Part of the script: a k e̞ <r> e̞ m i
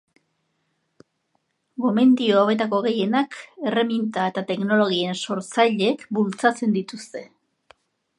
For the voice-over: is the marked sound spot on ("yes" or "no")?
yes